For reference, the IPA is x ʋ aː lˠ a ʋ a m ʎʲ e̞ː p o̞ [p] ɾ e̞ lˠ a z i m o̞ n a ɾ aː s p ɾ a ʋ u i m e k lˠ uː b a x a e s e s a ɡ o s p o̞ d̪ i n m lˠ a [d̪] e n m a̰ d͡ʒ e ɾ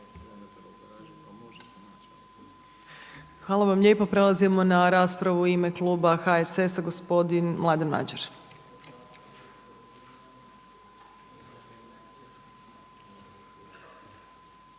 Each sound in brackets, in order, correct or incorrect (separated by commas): correct, correct